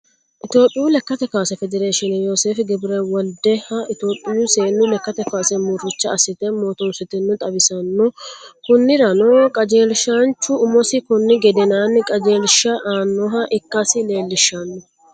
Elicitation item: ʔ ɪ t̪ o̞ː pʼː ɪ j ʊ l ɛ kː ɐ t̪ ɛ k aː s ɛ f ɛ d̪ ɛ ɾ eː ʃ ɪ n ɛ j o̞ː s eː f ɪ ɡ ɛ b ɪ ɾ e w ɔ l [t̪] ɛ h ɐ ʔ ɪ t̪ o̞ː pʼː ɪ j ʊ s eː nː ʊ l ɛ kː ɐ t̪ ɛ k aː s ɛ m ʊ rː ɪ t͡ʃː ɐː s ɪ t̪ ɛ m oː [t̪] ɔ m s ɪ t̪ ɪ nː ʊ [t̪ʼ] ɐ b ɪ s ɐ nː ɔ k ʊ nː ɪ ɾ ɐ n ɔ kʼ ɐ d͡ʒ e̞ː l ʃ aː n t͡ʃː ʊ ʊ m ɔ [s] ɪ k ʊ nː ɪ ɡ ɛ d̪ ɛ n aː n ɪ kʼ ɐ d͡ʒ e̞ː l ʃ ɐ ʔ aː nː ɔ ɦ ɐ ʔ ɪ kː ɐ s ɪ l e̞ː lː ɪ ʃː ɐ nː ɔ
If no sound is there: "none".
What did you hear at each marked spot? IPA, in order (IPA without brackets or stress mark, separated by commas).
d̪, t̪, t̪ʼ, s